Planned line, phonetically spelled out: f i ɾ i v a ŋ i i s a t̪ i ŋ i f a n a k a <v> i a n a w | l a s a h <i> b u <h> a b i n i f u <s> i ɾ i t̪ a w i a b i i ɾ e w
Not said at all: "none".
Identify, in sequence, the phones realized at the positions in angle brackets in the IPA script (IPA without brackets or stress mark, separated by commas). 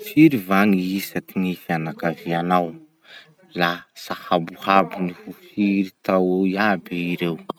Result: v, a, h, f